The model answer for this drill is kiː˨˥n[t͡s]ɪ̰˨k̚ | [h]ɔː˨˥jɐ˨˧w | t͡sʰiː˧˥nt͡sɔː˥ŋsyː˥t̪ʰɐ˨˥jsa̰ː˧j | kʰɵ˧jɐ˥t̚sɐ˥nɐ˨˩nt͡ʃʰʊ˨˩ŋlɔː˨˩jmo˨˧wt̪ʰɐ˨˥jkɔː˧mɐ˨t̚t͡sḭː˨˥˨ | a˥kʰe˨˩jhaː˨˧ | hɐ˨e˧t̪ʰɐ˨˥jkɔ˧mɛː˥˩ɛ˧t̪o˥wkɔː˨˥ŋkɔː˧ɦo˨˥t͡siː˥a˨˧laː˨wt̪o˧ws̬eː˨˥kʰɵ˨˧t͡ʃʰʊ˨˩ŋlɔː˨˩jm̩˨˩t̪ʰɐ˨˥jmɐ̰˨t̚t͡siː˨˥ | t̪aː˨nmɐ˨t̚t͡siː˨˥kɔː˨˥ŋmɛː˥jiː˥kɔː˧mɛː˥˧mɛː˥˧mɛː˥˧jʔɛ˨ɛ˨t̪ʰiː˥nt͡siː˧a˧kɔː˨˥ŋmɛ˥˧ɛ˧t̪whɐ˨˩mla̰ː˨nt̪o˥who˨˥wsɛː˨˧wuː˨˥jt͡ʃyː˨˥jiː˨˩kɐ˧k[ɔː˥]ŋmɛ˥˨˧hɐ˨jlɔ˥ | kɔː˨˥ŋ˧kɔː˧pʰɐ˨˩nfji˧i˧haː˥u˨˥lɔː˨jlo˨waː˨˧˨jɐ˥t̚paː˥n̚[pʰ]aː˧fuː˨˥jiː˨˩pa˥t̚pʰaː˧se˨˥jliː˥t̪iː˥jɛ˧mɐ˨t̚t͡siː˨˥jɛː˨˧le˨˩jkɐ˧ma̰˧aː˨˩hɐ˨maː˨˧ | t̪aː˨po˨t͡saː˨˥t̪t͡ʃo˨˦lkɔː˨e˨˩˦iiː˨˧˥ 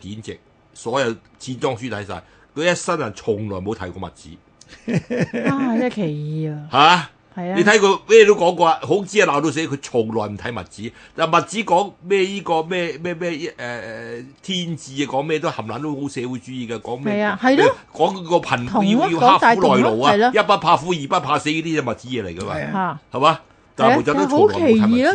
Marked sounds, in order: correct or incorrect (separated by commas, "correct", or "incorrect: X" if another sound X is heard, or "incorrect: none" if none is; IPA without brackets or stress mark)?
correct, incorrect: s, incorrect: ɔː˨˥, correct